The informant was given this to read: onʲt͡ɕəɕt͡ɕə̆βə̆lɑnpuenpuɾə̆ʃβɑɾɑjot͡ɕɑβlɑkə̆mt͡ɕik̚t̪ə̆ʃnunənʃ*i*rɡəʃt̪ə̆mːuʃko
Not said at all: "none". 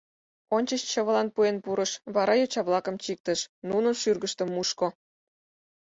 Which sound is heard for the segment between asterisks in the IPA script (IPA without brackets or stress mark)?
y